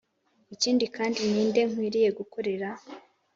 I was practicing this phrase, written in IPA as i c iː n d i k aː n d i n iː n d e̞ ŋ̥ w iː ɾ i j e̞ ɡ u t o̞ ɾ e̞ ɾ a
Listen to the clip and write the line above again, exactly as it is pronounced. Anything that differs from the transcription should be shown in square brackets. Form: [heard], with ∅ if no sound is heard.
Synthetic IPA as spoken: i c iː n d i k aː n d i n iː n d e̞ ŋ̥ w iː ɾ i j e̞ ɡ u [k] o̞ ɾ e̞ ɾ a